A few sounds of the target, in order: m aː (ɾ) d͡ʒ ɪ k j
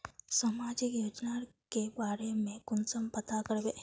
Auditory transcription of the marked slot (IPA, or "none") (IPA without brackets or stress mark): none